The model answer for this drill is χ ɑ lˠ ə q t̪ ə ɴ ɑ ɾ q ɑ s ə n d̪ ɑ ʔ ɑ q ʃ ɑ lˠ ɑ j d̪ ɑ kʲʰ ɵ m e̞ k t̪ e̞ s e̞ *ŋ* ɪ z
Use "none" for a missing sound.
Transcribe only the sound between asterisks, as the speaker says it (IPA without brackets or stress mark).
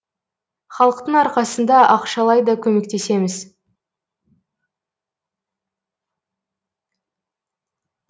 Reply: m